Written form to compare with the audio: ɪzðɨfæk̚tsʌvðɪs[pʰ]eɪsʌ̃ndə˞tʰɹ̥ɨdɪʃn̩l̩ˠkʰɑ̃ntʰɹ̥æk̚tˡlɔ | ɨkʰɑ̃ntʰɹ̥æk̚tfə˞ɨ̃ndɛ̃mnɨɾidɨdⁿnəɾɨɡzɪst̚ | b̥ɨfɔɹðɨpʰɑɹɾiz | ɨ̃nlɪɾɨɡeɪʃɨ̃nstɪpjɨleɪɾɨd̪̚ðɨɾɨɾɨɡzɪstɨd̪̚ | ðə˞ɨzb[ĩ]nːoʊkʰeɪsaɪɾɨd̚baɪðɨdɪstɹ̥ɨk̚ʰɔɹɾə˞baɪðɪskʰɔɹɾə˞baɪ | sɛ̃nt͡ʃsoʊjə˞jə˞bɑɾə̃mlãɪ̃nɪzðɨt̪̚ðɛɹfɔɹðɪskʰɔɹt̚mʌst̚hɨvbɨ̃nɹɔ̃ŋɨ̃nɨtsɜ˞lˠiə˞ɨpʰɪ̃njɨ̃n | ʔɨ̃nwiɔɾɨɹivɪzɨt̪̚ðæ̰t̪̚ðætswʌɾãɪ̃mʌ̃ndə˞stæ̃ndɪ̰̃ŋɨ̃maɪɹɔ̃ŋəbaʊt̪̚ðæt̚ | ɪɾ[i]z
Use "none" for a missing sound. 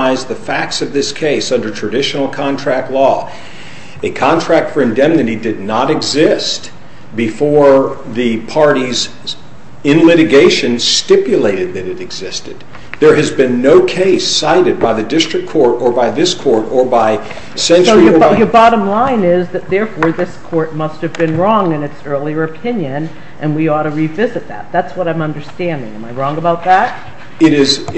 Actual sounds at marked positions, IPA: kʰ, ɨ̃, ɪ

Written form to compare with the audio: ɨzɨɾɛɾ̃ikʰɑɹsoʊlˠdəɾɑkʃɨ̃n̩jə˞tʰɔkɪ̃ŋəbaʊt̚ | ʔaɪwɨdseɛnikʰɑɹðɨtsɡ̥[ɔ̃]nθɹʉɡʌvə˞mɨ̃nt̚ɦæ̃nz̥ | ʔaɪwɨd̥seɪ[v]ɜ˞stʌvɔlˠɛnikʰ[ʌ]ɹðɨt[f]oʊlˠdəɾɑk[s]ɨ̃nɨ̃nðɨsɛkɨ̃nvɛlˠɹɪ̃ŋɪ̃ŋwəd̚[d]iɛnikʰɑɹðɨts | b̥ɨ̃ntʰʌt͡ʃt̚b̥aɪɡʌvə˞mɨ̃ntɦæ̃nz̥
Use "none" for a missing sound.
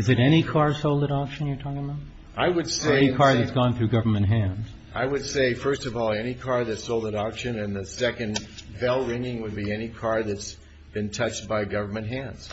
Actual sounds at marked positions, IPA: ɔ̃, f, ɑ, s, ʃ, b

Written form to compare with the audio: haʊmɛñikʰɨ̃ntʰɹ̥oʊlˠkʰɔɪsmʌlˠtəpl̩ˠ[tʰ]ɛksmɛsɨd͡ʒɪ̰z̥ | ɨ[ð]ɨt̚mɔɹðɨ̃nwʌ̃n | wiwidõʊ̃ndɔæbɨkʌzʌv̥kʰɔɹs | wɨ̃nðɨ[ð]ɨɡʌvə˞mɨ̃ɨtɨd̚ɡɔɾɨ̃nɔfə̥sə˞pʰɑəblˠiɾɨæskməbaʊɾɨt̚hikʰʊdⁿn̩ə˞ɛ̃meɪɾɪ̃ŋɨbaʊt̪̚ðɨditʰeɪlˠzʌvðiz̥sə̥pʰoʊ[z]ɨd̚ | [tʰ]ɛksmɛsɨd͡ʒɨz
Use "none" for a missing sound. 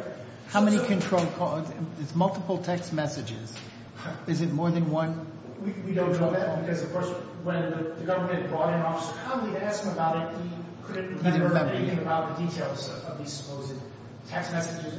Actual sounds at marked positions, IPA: tʰ, z, ð, z, tʰ

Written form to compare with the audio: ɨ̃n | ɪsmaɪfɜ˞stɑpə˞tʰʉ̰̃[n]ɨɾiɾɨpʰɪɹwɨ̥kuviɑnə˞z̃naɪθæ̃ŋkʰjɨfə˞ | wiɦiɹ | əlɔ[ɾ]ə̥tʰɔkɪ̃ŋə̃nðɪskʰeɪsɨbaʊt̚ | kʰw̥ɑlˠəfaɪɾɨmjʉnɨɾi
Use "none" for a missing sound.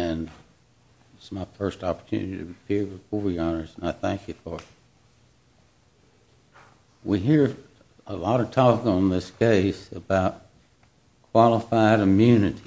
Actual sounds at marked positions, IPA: n, ɾ

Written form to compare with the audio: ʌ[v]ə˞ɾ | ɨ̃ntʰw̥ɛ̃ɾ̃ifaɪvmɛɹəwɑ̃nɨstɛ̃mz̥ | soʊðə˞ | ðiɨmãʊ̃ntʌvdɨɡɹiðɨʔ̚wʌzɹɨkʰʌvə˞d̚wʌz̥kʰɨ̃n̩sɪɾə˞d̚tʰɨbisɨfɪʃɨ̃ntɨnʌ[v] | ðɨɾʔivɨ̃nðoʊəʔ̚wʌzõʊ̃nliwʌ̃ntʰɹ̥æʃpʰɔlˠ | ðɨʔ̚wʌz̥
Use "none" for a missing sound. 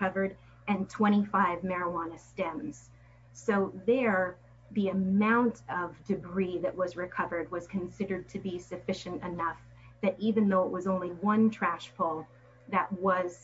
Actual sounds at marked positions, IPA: v, f

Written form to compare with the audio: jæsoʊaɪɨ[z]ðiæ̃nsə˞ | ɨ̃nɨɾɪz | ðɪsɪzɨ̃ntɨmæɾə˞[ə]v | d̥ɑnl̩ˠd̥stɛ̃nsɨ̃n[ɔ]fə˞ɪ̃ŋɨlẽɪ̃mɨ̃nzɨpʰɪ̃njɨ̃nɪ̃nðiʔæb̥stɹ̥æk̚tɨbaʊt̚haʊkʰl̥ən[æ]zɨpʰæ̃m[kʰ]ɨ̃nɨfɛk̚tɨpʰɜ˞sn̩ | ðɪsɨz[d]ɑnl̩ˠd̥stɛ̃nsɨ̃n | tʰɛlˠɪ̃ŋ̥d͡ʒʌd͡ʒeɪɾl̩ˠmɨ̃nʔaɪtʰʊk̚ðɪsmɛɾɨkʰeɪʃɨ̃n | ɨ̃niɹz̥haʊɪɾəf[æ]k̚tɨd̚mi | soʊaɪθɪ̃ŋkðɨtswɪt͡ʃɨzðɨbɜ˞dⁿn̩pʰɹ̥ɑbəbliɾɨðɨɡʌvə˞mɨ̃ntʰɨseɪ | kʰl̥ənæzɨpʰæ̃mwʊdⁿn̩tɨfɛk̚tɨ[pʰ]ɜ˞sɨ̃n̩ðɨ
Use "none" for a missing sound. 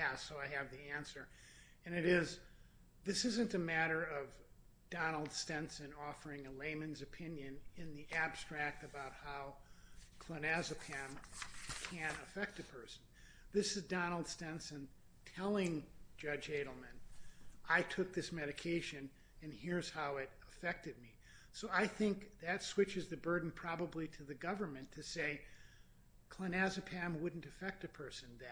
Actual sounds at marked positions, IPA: v, ʌ, ɔ, æ, kʰ, d, ɛ, pʰ

